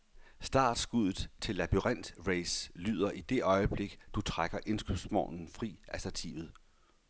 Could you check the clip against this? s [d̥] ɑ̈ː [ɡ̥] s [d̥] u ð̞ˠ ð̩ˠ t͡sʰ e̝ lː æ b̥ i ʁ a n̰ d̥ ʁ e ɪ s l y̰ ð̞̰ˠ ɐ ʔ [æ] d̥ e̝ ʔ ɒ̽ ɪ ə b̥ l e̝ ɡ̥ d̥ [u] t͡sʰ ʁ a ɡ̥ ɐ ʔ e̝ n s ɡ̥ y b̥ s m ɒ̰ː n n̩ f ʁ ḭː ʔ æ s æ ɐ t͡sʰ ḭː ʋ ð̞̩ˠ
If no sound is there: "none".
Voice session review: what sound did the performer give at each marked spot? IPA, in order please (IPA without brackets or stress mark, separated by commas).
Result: d̥, d̥, ɡ̥, i, u